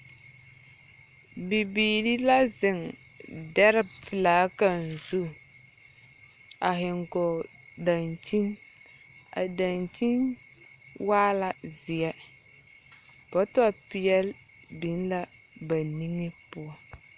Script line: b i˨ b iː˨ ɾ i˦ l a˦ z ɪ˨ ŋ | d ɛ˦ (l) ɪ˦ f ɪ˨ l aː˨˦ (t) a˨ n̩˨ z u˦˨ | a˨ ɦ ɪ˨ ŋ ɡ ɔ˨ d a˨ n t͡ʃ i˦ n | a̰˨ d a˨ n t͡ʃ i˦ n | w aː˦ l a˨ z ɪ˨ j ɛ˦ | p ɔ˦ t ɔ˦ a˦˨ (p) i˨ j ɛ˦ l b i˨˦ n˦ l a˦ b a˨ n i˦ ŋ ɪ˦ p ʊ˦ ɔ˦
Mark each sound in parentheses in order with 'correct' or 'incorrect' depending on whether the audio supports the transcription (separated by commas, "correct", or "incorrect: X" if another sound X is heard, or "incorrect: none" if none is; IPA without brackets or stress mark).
incorrect: ɾ, incorrect: k, correct